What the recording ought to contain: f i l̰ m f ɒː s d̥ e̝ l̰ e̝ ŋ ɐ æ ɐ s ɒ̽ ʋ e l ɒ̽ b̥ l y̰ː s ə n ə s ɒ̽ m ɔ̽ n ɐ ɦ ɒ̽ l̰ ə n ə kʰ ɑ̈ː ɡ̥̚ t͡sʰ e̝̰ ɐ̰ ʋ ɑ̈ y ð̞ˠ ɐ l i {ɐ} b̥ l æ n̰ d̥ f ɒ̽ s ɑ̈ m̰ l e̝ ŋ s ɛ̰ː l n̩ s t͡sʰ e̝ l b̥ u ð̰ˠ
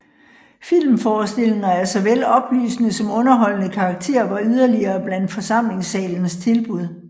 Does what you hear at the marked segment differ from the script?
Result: yes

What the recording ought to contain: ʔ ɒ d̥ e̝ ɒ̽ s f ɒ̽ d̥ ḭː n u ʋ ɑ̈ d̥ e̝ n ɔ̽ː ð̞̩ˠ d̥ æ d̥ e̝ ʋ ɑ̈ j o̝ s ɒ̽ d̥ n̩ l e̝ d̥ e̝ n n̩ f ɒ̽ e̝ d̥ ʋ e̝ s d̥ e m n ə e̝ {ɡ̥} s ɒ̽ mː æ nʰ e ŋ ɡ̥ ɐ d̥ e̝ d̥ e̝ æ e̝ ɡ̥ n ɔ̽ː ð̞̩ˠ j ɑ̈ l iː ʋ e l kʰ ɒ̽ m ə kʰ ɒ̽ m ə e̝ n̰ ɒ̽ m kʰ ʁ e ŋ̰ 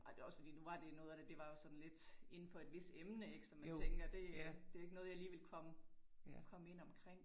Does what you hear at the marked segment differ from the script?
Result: no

